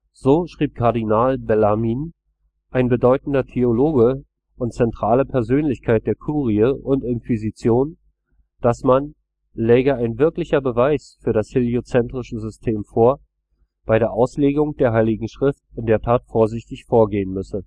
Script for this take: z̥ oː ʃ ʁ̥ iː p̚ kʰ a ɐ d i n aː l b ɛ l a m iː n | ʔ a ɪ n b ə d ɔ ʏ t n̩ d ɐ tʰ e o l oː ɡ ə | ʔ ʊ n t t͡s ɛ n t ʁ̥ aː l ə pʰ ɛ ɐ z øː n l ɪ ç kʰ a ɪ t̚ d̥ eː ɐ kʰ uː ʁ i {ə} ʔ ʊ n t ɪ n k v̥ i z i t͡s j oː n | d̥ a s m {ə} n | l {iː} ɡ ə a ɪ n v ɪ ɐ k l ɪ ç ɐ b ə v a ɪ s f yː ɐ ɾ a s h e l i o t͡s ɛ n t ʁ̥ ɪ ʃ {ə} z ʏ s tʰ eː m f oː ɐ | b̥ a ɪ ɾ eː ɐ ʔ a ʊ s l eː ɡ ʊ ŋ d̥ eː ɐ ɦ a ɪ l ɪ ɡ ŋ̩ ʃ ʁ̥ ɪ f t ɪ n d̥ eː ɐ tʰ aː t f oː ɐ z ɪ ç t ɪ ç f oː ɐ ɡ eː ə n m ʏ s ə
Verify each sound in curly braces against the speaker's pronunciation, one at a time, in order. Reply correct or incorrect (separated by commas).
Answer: correct, incorrect, incorrect, correct